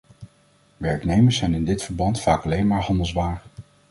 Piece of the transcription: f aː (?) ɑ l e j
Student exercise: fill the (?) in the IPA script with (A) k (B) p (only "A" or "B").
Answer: A